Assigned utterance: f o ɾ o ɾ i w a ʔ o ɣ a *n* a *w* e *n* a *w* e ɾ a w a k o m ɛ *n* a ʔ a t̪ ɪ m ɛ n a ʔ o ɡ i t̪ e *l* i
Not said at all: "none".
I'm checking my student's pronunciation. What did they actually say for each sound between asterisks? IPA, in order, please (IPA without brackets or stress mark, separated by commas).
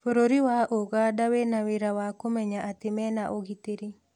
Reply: d, w, n, w, ɲ, ɾ